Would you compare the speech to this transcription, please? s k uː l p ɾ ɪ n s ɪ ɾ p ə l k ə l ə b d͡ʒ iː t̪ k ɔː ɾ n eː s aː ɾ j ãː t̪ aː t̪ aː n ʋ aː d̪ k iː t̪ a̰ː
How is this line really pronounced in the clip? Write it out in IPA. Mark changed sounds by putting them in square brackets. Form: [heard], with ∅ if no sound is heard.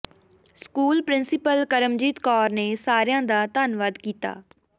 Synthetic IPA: s k uː l p ɾ ɪ n s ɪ [∅] p ə l k ə [ɾ] ə [m] d͡ʒ iː t̪ k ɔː ɾ n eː s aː ɾ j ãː [d̪] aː t̪ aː n ʋ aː d̪ k iː t̪ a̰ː